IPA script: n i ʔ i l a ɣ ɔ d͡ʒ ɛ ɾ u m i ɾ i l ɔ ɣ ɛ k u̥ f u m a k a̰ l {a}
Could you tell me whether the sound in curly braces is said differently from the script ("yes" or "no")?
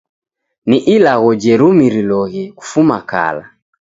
no